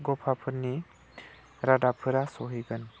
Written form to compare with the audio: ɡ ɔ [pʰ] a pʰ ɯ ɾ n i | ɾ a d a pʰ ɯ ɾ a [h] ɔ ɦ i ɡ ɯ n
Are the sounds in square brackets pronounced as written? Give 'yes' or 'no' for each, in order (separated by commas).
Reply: yes, no